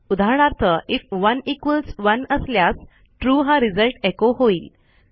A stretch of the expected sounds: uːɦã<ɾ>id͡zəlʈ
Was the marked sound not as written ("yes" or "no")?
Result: no